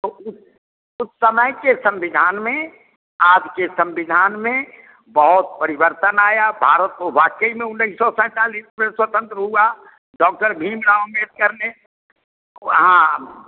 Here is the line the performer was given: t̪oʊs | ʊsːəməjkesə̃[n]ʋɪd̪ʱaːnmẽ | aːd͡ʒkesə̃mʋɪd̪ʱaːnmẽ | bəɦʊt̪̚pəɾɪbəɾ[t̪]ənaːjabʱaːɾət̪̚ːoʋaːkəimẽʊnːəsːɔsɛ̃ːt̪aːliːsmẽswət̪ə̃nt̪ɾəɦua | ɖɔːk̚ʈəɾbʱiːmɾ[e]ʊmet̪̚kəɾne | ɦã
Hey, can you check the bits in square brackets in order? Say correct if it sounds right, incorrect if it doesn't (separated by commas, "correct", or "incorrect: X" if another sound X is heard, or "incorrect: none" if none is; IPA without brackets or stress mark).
incorrect: m, correct, incorrect: a